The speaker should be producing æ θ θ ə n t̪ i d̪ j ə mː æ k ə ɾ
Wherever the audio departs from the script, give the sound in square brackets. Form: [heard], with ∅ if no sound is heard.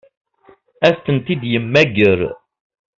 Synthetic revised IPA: æ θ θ ə n t̪ i d̪ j ə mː æ [ɡ] ə ɾ